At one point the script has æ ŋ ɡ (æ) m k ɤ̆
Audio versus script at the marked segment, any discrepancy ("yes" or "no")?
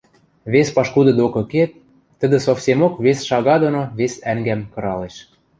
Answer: no